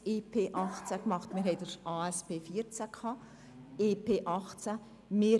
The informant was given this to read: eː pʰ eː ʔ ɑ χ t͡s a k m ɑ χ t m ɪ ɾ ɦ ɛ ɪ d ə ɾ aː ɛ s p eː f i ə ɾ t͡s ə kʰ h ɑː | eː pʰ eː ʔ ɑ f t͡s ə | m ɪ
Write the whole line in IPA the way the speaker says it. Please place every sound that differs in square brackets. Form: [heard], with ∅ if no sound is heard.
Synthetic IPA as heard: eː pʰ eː ʔ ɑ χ t͡s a k m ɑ χ t m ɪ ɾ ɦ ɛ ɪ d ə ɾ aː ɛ s p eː f i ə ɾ t͡s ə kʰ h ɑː | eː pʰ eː ʔ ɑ [χ] t͡s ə | m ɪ